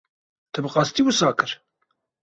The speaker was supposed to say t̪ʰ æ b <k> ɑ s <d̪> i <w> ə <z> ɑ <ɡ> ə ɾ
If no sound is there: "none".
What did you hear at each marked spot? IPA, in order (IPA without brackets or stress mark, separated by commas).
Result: q, t̪, w, s, k